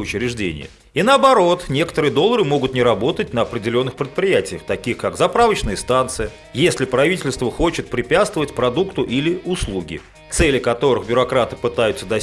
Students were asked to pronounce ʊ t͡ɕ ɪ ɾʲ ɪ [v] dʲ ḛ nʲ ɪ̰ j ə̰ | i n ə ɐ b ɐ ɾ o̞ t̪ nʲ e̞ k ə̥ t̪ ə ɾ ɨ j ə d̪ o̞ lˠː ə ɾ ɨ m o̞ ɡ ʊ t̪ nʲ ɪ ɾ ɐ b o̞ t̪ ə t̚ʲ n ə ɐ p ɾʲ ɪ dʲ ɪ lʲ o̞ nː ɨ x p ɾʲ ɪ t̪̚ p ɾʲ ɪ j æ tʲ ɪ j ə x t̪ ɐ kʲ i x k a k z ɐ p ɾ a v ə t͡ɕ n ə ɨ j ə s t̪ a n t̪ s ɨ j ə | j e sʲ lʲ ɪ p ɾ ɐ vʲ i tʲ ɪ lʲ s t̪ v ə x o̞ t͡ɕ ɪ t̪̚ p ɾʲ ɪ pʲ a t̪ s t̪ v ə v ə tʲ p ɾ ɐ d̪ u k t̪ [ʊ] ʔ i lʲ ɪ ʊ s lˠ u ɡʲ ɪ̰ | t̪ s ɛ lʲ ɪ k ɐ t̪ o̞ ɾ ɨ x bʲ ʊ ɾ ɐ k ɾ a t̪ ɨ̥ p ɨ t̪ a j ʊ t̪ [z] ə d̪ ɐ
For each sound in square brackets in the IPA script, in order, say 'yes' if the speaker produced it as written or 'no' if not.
no, yes, no

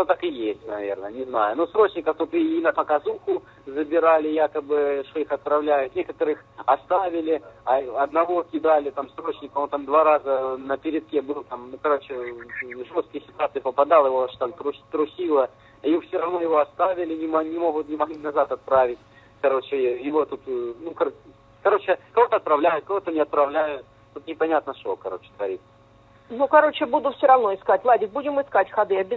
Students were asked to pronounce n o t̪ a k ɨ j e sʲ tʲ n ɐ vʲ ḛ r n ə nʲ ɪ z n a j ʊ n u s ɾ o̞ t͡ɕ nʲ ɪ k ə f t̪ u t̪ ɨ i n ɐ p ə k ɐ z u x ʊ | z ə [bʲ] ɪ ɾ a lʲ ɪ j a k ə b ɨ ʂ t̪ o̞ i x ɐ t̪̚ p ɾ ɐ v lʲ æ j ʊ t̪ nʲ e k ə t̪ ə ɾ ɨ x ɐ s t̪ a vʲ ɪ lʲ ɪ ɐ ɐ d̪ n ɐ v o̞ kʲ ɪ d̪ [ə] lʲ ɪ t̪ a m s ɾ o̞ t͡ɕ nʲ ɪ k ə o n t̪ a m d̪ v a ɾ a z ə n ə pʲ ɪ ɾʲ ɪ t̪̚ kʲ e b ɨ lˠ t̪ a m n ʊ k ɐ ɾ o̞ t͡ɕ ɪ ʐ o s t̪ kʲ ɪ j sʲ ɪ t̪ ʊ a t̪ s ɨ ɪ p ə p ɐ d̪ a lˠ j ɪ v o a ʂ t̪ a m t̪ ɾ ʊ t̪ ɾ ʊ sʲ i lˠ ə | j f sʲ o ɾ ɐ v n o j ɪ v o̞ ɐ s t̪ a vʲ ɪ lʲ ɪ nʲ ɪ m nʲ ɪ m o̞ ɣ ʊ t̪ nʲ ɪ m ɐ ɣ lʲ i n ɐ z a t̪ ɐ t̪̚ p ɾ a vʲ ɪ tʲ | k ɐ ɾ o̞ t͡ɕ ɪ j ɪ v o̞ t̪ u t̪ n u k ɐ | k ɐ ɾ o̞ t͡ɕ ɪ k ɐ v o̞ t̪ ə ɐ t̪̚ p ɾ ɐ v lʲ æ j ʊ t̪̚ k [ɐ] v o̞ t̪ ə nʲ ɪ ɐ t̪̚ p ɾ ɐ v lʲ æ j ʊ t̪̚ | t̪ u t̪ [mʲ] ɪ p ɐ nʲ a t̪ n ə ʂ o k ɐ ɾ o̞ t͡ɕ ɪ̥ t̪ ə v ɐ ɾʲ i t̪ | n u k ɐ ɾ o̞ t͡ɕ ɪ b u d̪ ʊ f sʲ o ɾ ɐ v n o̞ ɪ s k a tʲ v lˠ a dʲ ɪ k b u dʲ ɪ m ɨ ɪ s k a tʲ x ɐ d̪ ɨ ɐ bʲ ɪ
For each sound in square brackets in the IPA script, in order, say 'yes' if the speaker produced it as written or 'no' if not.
yes, no, yes, no

